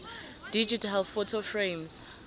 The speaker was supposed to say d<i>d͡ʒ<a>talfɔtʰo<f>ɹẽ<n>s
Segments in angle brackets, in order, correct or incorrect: correct, incorrect, correct, incorrect

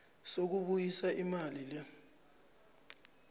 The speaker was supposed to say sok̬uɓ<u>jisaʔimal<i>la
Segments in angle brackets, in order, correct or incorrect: correct, correct

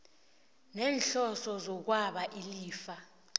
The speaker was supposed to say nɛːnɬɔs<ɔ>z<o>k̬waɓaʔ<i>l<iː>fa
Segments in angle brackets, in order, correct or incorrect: correct, incorrect, correct, correct

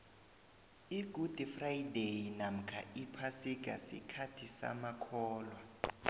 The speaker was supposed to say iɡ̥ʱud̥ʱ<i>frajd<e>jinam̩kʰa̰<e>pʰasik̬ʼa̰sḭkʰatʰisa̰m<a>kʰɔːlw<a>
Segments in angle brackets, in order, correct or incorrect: correct, correct, incorrect, correct, correct

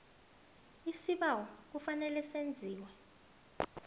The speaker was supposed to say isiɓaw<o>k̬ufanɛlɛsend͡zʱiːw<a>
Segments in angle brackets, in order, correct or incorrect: incorrect, incorrect

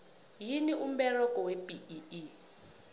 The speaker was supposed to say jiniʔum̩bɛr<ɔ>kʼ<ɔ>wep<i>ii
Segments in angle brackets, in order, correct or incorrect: correct, correct, correct

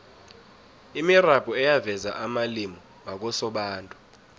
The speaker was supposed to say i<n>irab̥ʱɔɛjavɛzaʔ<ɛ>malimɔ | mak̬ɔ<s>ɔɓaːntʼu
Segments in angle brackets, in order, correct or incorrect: incorrect, incorrect, correct

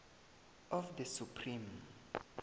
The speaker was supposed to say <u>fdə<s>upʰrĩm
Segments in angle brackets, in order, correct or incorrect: incorrect, correct

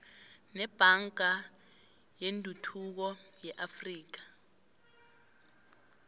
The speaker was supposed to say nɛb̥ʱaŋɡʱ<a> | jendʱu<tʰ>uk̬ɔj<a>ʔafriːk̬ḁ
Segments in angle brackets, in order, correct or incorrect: correct, correct, incorrect

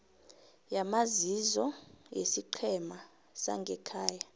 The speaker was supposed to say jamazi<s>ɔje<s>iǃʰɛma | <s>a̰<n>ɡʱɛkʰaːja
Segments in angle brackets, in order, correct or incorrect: incorrect, correct, correct, incorrect

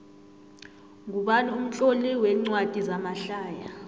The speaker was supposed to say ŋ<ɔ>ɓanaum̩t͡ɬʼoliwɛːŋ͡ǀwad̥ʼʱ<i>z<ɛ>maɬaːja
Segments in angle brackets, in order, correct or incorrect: incorrect, correct, incorrect

